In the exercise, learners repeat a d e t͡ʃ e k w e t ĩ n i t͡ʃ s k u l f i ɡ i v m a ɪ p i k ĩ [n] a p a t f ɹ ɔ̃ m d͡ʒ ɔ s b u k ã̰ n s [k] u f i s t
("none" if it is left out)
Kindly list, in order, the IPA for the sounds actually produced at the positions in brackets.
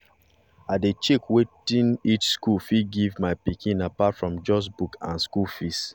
n, k

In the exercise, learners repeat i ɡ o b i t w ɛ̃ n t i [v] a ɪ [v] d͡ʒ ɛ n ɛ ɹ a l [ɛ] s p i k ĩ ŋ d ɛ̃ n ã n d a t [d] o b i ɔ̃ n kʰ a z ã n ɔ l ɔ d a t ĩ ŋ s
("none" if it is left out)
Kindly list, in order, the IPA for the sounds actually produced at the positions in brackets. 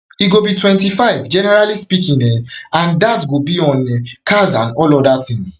f, v, i, ɡ

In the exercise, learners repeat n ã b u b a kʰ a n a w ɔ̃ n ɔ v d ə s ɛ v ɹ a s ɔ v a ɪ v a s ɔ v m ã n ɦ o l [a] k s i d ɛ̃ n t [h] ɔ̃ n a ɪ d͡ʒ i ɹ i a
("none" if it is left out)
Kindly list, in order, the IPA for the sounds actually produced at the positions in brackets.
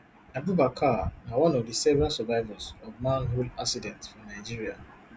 a, f

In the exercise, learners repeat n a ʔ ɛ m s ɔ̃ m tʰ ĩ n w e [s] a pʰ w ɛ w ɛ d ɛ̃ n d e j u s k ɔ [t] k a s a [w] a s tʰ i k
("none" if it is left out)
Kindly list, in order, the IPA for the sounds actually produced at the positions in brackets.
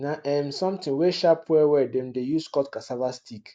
ʃ, t, v

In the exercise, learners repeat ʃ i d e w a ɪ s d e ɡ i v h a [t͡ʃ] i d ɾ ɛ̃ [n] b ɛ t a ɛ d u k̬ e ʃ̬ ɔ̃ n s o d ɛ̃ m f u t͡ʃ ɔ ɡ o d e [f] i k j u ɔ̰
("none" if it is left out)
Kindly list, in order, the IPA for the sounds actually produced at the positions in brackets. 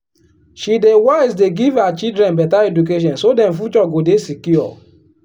t͡ʃ, n, s

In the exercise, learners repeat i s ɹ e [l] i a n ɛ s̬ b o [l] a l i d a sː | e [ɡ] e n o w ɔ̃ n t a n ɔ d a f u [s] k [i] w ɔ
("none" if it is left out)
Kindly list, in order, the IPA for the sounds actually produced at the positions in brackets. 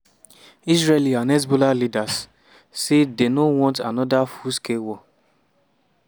l, l, d, s, e

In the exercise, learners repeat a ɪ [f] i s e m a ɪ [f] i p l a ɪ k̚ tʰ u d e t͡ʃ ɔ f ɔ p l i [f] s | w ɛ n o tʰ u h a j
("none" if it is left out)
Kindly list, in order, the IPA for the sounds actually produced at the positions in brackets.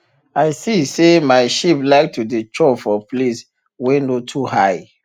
s, ʃ, none

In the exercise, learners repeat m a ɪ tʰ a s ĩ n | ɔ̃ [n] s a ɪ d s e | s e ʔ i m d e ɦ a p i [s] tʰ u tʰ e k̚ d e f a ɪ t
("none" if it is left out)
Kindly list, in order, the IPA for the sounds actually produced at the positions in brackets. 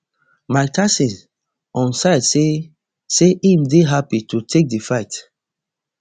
n, none

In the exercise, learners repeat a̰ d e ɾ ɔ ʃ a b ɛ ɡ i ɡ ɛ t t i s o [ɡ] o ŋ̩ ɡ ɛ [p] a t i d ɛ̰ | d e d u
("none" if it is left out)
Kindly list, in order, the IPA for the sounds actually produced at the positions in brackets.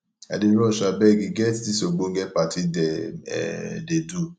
ɡ͡b, p

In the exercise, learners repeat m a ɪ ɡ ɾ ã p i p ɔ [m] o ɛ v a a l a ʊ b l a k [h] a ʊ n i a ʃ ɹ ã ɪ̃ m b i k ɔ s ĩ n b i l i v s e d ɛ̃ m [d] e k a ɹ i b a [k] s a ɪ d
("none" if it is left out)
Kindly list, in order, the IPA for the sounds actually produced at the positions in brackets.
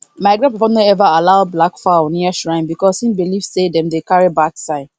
n, f, d, k

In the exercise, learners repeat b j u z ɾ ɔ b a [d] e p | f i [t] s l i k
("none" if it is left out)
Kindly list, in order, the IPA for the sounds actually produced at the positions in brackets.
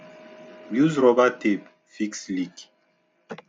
t, k

